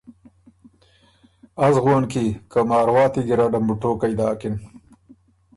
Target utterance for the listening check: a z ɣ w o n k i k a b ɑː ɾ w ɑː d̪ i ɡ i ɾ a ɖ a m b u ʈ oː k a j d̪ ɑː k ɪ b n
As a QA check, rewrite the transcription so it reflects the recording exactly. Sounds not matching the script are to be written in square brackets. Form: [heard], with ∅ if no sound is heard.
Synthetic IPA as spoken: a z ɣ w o n k i k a [m] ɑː ɾ w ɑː [t̪] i ɡ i ɾ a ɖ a m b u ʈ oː k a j d̪ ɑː k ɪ [∅] n